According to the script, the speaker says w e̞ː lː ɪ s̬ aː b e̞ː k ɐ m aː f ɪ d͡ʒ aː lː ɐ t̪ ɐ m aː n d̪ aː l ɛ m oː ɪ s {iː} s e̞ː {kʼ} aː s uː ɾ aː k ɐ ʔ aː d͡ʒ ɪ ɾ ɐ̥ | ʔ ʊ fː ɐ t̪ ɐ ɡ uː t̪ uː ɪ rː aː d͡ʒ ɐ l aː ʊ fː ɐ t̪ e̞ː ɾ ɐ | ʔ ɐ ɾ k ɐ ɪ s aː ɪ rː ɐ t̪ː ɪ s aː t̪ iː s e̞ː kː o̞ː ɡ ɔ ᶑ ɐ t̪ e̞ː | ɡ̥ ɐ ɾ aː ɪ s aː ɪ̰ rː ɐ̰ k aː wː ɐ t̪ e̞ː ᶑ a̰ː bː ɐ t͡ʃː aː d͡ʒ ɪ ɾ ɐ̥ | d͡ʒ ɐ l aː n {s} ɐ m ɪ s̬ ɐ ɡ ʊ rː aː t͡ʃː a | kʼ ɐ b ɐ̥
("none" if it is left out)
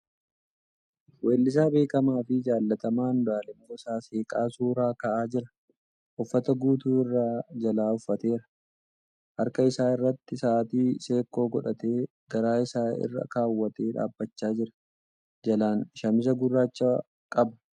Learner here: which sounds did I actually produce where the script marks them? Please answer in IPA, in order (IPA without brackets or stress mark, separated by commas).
aː, kʼ, ʃ